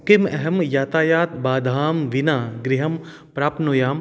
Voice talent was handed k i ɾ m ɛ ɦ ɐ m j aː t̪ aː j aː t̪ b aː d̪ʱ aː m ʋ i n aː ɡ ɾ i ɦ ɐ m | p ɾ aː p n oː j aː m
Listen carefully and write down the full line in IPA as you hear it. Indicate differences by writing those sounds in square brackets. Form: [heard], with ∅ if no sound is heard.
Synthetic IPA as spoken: k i [∅] m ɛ ɦ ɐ m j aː t̪ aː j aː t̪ b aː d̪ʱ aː m ʋ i n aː ɡ ɾ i ɦ ɐ m | p ɾ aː p n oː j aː m